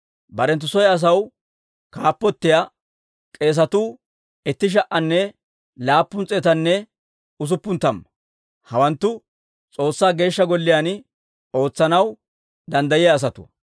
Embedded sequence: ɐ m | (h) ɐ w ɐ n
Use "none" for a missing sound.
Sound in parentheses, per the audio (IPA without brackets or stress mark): h